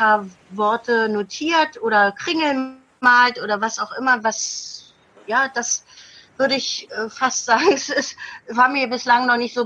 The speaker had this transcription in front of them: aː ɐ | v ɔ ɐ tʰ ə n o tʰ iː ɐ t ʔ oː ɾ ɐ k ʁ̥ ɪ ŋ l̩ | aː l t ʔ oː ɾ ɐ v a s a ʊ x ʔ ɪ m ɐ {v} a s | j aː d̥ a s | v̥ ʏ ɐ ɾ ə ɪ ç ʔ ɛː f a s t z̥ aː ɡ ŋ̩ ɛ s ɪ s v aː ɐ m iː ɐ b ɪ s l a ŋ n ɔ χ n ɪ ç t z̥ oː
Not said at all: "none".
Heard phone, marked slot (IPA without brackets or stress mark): v